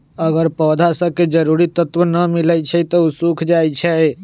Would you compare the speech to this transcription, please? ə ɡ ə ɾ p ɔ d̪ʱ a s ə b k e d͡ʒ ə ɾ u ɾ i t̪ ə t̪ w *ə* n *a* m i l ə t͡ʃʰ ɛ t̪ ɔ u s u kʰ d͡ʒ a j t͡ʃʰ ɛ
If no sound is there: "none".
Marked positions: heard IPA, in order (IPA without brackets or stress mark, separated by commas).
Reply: ə, ə